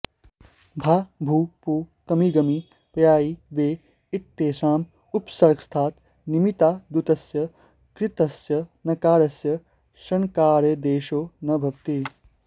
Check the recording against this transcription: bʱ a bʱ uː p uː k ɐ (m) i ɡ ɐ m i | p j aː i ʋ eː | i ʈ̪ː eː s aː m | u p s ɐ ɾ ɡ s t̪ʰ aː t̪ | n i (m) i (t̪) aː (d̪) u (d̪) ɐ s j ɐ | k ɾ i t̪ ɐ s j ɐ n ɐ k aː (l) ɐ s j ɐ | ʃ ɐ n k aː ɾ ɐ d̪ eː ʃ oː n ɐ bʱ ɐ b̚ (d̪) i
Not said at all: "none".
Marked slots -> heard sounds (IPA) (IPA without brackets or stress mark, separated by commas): m, m, t̪, d̪, t̪, ɾ, t̪